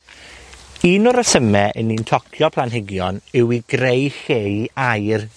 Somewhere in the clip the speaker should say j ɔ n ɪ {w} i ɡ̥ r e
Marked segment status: correct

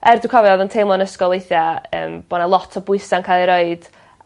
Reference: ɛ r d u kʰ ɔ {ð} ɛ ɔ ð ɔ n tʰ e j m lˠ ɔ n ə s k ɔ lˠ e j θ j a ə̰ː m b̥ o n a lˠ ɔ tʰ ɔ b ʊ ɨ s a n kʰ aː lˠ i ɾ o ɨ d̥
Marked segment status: incorrect: v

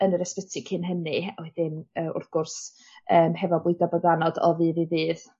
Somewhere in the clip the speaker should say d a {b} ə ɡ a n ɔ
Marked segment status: correct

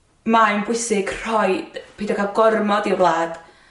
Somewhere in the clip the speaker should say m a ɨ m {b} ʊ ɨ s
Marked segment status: correct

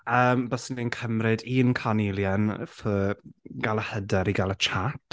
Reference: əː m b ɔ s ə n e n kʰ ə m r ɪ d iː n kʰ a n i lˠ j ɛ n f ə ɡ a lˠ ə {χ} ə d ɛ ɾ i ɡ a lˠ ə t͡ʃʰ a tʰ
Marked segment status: incorrect: h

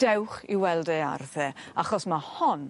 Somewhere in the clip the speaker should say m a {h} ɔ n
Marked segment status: correct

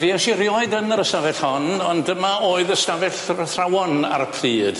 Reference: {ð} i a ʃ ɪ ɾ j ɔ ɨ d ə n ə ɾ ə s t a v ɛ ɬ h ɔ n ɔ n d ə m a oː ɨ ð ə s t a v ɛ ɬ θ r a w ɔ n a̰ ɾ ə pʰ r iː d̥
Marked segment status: incorrect: v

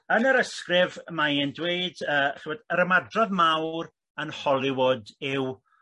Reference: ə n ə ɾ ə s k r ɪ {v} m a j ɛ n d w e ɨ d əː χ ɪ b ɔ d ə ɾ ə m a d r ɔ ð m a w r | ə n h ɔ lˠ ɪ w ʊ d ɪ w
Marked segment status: correct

